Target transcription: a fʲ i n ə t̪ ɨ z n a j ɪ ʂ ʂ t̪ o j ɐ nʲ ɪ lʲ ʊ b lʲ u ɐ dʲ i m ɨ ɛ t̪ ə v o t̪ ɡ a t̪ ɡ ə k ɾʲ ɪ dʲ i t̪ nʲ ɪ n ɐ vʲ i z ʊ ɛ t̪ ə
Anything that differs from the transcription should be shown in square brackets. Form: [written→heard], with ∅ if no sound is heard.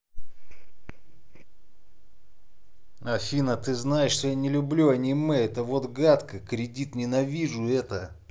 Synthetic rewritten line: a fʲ i n ə t̪ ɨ z n a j ɪ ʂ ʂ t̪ o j [ɐ→a] nʲ ɪ lʲ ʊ b lʲ u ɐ [dʲ→nʲ] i m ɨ ɛ t̪ ə v o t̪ ɡ a t̪ [ɡ→k] ə k ɾʲ ɪ dʲ i t̪ nʲ ɪ n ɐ vʲ i [z→ʐ] ʊ ɛ t̪ ə